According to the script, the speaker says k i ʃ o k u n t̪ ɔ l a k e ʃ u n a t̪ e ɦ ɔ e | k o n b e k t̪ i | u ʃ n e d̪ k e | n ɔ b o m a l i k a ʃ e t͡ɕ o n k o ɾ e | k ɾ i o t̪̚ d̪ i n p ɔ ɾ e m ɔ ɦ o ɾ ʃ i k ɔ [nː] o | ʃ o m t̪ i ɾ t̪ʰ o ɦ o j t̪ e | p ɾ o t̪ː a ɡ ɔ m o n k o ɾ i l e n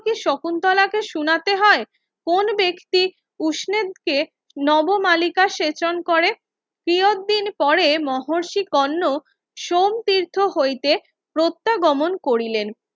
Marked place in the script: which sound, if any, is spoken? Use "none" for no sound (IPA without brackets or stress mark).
nː